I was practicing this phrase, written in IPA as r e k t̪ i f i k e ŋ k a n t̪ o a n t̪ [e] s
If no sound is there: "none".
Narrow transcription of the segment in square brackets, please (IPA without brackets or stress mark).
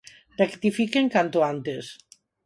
e